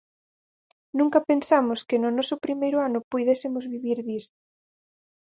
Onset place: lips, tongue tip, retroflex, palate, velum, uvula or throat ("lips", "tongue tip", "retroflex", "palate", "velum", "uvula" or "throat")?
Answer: tongue tip